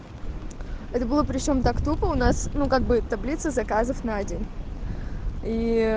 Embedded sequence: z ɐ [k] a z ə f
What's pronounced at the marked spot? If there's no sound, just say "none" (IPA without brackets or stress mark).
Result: k